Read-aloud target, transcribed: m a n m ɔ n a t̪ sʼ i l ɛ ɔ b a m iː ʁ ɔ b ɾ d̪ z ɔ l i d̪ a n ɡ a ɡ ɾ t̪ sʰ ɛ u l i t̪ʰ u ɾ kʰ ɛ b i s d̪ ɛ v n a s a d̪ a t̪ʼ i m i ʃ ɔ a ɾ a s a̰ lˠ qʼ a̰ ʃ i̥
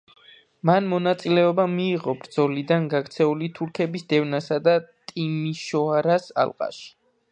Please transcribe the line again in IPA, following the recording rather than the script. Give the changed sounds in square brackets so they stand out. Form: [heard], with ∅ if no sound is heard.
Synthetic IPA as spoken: m a n m ɔ n a t̪ sʼ i l ɛ ɔ b a m iː ʁ ɔ b ɾ d̪ z ɔ l i d̪ a n ɡ a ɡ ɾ t̪ sʰ ɛ u l i t̪ʰ u ɾ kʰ ɛ b i s d̪ ɛ v n a s a d̪ a t̪ʼ i m i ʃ ɔ a ɾ a s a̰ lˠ qʼ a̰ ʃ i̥